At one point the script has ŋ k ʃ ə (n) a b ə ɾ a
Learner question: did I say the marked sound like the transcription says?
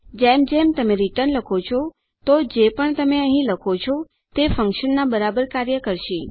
no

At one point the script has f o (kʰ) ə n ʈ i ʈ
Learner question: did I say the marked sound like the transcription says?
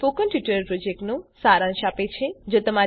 no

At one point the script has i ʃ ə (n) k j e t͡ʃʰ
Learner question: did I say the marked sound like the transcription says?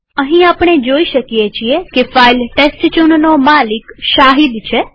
no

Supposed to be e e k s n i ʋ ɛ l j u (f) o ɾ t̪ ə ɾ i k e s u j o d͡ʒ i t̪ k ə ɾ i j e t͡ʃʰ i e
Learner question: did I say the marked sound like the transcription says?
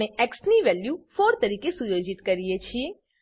yes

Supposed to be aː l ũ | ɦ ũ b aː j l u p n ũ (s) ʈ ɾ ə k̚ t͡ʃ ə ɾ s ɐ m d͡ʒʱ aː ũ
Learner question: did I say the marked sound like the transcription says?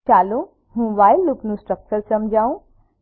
yes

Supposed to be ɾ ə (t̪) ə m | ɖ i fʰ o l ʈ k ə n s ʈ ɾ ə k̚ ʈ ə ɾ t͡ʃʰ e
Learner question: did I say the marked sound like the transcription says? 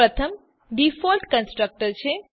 no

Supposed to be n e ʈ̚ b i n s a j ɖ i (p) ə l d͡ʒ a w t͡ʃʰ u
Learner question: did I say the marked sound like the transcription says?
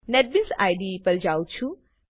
yes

